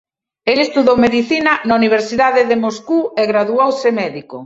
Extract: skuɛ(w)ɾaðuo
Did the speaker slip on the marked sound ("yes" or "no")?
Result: yes